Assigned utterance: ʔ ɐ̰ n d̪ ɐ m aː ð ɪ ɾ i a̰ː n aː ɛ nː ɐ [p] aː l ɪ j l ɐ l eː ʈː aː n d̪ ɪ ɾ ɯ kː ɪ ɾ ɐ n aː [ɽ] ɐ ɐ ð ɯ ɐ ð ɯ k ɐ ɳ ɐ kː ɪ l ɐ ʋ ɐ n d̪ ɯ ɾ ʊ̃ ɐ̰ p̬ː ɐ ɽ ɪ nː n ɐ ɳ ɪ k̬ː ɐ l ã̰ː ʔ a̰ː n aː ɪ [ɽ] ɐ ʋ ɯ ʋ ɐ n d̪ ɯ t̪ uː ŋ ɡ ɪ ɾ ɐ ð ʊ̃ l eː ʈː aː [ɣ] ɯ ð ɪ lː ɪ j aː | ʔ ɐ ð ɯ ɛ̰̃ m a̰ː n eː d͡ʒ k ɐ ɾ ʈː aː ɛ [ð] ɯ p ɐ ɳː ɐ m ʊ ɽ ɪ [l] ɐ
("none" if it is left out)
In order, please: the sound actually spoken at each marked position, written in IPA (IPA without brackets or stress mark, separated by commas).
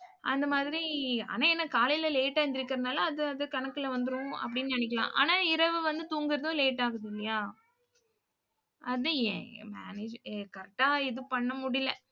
k, l, ɾ, ɣ, ð, l